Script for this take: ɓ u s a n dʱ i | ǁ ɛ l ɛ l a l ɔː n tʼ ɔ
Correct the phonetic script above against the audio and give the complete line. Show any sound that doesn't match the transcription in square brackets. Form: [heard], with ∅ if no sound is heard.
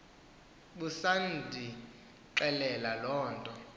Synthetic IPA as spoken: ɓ u s a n dʱ i | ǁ ɛ l ɛ l a l ɔː n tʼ ɔ

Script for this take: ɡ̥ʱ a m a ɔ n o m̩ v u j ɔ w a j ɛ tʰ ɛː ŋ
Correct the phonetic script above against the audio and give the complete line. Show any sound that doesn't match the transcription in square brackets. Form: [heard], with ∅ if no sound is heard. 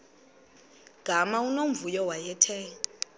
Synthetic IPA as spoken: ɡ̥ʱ a m a [u] n o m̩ v u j ɔ w a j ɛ tʰ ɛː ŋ

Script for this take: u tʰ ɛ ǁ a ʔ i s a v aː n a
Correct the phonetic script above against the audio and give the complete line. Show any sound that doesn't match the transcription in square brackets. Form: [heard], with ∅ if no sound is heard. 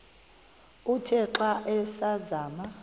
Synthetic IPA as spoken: u tʰ ɛ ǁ a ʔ [ɛ] s a [z] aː [m] a

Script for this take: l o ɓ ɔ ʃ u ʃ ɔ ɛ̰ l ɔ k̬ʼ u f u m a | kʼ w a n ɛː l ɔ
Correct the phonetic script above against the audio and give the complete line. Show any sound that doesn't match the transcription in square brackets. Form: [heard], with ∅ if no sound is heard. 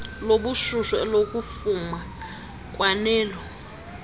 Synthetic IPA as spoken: l o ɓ [u] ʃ u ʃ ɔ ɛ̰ l [o] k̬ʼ u f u m a | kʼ w a n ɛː l ɔ

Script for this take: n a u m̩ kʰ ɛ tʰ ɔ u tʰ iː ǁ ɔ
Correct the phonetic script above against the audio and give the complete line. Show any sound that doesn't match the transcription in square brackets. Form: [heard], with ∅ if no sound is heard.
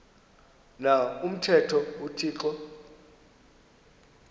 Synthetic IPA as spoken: n a u m̩ [tʰ] ɛ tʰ ɔ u tʰ iː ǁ ɔ

